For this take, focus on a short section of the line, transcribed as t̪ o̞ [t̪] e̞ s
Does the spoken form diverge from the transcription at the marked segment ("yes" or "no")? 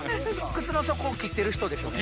yes